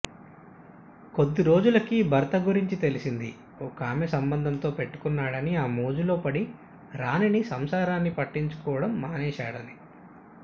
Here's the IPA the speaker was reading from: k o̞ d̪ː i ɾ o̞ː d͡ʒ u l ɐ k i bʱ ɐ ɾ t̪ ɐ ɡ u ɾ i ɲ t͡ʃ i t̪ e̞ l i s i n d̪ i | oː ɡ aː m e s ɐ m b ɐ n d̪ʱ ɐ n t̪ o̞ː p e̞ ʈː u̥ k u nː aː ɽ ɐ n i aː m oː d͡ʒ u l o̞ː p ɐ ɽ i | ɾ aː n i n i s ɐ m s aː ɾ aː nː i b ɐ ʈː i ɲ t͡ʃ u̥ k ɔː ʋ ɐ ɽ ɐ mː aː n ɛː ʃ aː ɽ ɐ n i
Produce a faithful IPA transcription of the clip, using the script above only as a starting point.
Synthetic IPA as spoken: k o̞ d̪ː i ɾ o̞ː d͡ʒ u l ɐ k i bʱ ɐ ɾ t̪ ɐ ɡ u ɾ i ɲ t͡ʃ i t̪ e̞ l i s i n d̪ i | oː k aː m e s ɐ m b ɐ n d̪ʱ ɐ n t̪ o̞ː p e̞ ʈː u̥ k u nː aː ɽ ɐ n i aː m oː d͡ʒ u l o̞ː p ɐ ɽ i | ɾ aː n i n i s ɐ m s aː ɾ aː nː i p ɐ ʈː i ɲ t͡ʃ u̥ k ɔː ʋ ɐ ɽ ɐ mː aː n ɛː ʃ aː ɽ ɐ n i